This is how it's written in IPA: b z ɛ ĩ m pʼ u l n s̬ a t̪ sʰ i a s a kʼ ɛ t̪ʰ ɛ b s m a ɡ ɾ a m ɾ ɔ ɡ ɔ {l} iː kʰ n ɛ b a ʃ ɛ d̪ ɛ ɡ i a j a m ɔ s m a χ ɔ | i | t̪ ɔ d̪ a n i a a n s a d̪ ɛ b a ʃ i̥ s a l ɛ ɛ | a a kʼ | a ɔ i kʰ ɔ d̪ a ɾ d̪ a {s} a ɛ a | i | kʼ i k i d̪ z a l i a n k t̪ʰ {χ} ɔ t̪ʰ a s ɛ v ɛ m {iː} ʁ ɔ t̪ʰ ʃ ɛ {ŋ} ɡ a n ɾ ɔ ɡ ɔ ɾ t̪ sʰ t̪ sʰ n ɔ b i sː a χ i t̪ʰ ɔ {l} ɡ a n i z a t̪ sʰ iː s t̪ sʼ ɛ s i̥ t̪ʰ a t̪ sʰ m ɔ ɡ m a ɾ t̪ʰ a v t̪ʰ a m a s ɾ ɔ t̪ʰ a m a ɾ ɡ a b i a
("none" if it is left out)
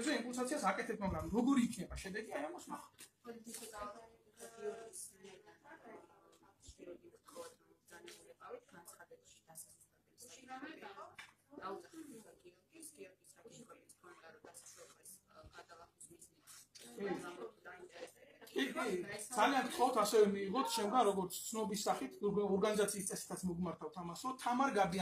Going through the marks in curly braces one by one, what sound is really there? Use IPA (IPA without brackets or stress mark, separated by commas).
ɾ, s, χ, iː, m, ɾ